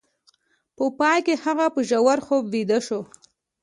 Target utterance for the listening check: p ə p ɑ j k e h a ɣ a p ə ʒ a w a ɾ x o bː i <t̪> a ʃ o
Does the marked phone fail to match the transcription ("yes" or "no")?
yes